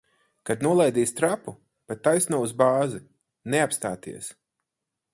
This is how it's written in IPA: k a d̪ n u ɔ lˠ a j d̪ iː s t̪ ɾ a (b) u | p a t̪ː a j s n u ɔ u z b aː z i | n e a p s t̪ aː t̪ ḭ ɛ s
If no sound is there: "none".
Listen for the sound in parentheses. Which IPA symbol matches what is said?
p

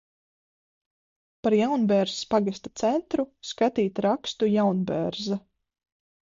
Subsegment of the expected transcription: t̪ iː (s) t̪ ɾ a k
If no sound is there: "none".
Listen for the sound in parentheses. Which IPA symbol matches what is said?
none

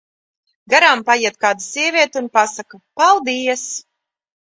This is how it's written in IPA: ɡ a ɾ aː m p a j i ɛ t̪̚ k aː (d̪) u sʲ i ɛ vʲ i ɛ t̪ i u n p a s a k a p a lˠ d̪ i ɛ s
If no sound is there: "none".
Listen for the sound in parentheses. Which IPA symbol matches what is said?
d̪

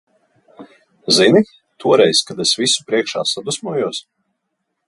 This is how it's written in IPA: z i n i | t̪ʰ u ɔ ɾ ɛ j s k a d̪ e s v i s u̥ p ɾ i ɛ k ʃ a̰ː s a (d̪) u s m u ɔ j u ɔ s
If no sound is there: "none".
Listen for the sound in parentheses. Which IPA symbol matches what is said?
d̪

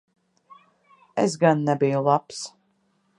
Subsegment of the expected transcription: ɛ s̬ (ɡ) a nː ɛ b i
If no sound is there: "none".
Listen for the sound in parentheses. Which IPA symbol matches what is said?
ɡ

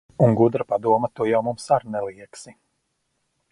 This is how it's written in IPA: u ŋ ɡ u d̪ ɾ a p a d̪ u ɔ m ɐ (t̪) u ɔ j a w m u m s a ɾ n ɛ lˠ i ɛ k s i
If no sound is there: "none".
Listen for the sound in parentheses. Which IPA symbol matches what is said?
t̪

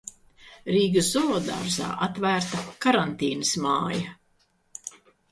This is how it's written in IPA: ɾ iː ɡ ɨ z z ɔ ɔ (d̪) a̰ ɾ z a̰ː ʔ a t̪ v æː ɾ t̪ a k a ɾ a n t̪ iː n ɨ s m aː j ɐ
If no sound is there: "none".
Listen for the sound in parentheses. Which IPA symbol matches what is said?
d̪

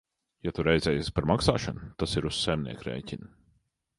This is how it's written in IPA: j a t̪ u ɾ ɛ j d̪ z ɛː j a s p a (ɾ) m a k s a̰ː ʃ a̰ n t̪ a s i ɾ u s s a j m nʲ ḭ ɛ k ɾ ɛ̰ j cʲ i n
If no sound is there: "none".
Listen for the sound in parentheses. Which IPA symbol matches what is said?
ɾ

